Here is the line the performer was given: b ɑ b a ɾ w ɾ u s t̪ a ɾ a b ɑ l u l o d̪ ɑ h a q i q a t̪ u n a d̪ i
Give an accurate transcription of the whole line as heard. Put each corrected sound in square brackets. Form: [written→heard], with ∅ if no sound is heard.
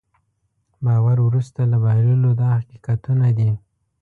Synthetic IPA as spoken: b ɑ [b→w] a ɾ w ɾ u s t̪ a [ɾ→l] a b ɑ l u l o d̪ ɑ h a q i q a t̪ u n a d̪ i

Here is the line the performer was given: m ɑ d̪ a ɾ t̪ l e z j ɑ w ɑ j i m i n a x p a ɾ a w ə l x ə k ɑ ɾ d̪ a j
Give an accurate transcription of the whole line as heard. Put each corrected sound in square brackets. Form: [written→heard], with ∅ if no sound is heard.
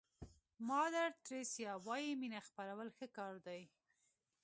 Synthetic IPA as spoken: m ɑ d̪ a ɾ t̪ [l→ɾ] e [z→s] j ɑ w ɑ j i m i n a x p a ɾ a w ə l x ə k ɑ ɾ d̪ a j

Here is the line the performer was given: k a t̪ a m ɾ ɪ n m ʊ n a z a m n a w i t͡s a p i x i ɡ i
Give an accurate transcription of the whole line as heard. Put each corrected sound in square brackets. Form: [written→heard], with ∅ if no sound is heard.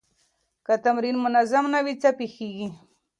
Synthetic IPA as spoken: k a t̪ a m ɾ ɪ n m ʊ n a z a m n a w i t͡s a p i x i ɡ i

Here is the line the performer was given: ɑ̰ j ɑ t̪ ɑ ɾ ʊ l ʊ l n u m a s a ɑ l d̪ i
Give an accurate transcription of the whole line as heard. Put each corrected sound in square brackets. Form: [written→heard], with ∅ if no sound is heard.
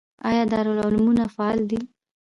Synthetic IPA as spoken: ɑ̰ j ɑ [t̪→d̪] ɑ ɾ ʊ l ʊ l [n→m] u [m→n] a [s→f] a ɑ l d̪ i

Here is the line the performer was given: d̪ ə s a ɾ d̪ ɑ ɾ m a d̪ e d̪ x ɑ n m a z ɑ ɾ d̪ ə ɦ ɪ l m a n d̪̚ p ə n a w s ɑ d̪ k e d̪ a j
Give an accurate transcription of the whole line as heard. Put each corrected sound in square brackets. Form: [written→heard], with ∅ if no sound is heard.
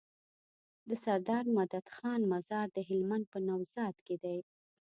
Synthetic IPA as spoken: d̪ ə s a ɾ d̪ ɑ ɾ m a d̪ [e→a] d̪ x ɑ n m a z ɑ ɾ d̪ ə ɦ ɪ l m a n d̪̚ p ə n a w [s→z] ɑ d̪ k e d̪ a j

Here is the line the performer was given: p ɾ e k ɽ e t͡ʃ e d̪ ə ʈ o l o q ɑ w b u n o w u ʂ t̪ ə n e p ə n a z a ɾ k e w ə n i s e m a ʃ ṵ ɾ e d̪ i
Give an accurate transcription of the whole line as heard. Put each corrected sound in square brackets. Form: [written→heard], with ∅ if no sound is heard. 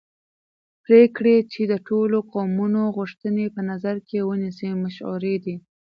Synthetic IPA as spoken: p ɾ e k ɽ e t͡ʃ e d̪ ə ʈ o l o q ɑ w [b→m] u n o [w→ɣ] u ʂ t̪ ə n e p ə n a z a ɾ k e w ə n i s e m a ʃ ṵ ɾ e d̪ i

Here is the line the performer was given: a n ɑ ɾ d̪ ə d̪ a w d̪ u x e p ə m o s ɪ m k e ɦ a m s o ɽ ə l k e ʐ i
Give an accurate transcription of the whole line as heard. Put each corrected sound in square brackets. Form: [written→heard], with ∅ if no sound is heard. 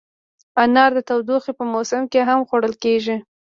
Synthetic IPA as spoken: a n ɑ ɾ d̪ ə [d̪→t̪] a w d̪ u x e p ə m o s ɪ m k e ɦ a m [s→x] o ɽ ə l k e [ʐ→ʒ] i

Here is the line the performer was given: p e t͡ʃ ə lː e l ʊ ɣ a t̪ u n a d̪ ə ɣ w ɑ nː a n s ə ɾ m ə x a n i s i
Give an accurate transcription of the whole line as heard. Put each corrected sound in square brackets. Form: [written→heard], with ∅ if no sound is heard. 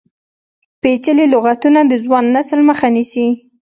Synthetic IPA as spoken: p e t͡ʃ ə [lː→l] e l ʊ ɣ a t̪ u n a d̪ ə [ɣ→z] w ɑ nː a [n→∅] s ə [ɾ→l] m ə x a n i s i

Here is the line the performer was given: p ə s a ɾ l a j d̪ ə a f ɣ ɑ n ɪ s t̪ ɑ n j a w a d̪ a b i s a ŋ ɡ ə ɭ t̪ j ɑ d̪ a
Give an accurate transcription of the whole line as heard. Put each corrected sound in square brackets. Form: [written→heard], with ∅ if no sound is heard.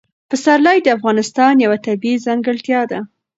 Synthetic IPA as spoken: p ə s a ɾ l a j d̪ ə a f ɣ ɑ n ɪ s t̪ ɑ n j a w a [d̪→t̪] a b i [s→z] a ŋ ɡ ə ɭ t̪ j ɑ d̪ a

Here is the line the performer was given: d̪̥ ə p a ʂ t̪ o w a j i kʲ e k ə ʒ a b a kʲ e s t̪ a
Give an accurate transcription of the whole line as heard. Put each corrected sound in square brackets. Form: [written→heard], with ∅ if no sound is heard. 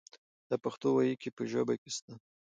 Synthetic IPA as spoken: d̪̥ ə p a [ʂ→x] t̪ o w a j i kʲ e [k→p] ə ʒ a b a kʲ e s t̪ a

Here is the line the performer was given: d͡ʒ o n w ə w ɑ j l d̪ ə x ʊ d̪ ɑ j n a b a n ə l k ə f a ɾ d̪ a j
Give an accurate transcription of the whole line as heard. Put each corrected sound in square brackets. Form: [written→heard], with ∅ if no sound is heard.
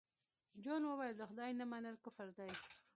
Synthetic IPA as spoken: d͡ʒ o n w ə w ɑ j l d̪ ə x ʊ d̪ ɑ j n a [b→m] a n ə l k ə f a ɾ d̪ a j

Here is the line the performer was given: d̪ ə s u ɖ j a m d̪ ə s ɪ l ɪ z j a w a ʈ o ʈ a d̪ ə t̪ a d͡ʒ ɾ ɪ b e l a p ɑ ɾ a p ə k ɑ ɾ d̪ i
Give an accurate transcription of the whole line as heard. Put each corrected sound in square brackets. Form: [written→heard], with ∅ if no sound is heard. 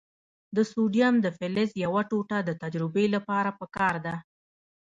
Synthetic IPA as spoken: d̪ ə s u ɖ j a m d̪ ə [s→f] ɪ l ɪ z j a w a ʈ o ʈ a d̪ ə t̪ a d͡ʒ ɾ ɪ b e l a p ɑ ɾ a p ə k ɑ ɾ d̪ [i→a]

